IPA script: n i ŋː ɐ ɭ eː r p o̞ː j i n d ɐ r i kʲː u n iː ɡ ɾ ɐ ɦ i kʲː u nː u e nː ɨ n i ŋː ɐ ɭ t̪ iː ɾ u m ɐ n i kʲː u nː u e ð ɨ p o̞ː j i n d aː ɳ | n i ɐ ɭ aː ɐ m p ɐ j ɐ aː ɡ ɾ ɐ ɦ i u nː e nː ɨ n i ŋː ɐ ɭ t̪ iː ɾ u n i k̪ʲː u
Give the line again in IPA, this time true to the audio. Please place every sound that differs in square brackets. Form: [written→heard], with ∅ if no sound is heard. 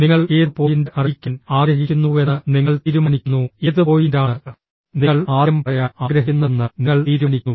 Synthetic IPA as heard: n i ŋː ɐ ɭ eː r p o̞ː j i n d ɐ r i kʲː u n [iː→aː] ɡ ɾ ɐ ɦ i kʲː u nː u e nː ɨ n i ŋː ɐ ɭ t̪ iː ɾ u m ɐ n i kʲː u nː u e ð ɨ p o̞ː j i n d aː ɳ | n i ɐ ɭ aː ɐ m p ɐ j ɐ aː ɡ ɾ ɐ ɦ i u nː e nː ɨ n i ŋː ɐ ɭ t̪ iː ɾ u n i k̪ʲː u